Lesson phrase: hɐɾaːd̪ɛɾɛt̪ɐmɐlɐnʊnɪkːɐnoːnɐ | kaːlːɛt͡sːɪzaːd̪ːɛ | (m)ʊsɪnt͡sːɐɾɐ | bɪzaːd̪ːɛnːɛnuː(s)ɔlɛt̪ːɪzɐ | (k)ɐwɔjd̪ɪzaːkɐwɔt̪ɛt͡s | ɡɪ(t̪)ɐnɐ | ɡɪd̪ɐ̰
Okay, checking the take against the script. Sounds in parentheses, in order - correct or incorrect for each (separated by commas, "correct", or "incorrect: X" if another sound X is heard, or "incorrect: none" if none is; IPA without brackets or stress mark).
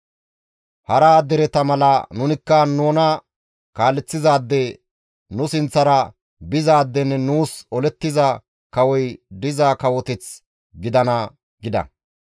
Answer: incorrect: n, correct, correct, incorrect: d̪